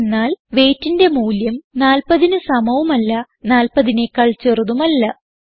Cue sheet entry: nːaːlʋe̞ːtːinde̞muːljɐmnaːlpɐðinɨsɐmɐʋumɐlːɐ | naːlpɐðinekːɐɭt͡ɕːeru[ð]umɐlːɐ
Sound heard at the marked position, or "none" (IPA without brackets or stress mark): ð